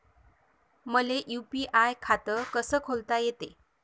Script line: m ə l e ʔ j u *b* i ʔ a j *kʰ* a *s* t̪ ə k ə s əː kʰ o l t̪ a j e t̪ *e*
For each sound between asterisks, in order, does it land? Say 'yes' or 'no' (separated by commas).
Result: no, yes, no, yes